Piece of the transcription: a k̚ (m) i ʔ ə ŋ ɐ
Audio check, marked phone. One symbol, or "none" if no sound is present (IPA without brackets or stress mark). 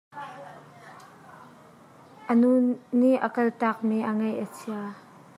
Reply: m